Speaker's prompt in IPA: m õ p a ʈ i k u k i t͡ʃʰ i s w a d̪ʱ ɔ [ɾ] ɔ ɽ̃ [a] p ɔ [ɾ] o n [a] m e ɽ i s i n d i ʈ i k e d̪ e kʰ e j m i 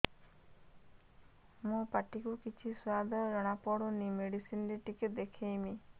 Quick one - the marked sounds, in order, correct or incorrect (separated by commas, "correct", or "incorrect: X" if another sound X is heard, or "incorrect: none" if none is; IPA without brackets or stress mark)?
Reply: correct, correct, incorrect: ɽ, incorrect: i